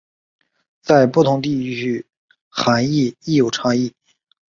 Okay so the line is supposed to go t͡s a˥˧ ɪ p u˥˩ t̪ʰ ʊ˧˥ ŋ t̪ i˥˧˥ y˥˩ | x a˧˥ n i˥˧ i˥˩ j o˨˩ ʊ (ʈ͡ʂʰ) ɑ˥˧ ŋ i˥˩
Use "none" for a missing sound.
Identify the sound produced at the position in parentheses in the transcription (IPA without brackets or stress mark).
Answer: ʈ͡ʂʰ